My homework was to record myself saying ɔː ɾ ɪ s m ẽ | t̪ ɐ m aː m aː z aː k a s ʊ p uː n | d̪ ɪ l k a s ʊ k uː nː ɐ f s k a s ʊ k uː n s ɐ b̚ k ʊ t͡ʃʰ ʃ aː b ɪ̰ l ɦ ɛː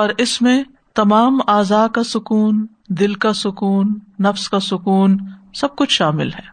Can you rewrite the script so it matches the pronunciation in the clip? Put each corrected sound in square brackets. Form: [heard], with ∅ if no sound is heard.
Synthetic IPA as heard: ɔː ɾ ɪ s m ẽ | t̪ ɐ m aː m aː z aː k a s ʊ [k] uː n | d̪ ɪ l k a s ʊ k uː nː ɐ f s k a s ʊ k uː n s ɐ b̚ k ʊ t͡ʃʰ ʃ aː [m] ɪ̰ l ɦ ɛː